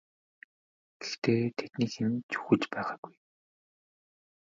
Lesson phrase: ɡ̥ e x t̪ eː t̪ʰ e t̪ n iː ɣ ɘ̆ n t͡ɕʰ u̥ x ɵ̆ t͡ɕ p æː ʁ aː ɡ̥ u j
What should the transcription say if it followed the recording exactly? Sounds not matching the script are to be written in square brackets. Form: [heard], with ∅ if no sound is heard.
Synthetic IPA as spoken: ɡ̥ e x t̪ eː t̪ʰ e t̪ n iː [x] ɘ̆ n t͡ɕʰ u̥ x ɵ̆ t͡ɕ p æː ʁ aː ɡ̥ u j